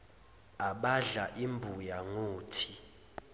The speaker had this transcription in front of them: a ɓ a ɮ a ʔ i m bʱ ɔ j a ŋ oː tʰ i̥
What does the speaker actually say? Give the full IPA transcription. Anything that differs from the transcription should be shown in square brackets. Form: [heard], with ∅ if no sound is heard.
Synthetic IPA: a ɓ a ɮ a ʔ i m bʱ [u] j a ŋ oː tʰ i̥